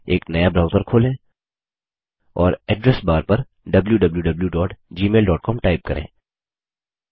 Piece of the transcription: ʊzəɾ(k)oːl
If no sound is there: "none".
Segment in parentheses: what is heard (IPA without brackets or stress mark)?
kʰ